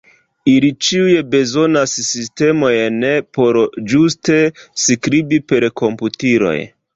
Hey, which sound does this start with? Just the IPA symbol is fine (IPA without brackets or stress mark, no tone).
i